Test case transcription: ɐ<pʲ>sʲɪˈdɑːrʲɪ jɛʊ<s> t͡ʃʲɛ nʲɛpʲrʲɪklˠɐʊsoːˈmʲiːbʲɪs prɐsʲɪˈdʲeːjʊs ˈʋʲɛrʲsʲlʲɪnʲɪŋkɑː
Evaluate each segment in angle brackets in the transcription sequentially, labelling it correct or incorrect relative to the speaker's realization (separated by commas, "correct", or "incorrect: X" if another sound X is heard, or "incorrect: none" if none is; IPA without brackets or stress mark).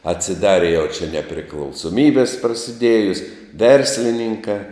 incorrect: tʲ, incorrect: none